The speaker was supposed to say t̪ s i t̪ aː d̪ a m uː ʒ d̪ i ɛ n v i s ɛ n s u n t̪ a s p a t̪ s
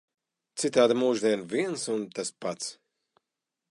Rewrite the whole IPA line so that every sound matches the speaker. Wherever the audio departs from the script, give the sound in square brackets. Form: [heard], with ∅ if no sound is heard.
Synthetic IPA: t̪ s i t̪ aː d̪ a m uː ʒ d̪ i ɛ n v i [∅] ɛ n s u n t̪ a s p a t̪ s